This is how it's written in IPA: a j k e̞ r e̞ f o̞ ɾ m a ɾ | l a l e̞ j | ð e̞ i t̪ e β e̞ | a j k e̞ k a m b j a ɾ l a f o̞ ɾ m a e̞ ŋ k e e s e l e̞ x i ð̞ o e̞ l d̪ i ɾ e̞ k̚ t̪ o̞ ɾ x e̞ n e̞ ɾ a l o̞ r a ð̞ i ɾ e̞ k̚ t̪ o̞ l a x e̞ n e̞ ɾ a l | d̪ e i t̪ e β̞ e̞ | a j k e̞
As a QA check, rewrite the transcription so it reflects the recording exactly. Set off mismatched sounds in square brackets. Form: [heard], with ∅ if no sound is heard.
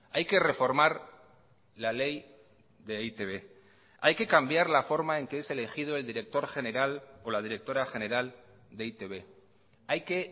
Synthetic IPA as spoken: a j k e̞ r e̞ f o̞ ɾ m a ɾ | l a l e̞ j | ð e̞ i t̪ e β e̞ | a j k e̞ k a m b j a ɾ l a f o̞ ɾ m a e̞ ŋ k e e s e l e̞ x i ð̞ o e̞ l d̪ i ɾ e̞ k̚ t̪ o̞ ɾ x e̞ n e̞ ɾ a l o̞ [l] a ð̞ i ɾ e̞ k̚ t̪ o̞ [ɾ] a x e̞ n e̞ ɾ a l | d̪ e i t̪ e β̞ e̞ | a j k e̞